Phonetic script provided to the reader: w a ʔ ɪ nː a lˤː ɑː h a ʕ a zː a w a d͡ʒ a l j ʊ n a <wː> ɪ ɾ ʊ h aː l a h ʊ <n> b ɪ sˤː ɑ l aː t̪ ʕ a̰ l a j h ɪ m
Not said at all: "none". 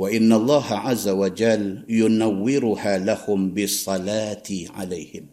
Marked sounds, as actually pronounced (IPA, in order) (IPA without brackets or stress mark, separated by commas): wː, m